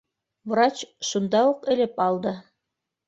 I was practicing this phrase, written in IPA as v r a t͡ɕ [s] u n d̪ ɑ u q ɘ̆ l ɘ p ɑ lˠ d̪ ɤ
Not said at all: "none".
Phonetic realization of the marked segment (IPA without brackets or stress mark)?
ʃ